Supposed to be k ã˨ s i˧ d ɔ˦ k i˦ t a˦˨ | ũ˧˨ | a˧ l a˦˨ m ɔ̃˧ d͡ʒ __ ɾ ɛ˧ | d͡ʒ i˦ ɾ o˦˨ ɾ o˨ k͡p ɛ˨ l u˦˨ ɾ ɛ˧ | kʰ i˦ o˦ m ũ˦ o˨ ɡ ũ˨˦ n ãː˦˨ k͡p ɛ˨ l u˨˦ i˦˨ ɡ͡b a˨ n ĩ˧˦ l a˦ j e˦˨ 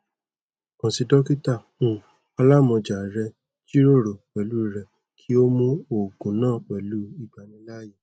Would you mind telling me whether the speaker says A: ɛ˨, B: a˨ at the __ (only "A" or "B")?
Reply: B